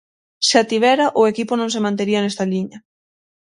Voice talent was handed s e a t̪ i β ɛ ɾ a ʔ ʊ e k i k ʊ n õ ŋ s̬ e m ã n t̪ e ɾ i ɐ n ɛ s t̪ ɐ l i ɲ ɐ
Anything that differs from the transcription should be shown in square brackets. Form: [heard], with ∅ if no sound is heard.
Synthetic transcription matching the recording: s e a t̪ i β ɛ ɾ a ʔ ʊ e k i [p] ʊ n õ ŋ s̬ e m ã n t̪ e ɾ i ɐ n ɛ s t̪ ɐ l i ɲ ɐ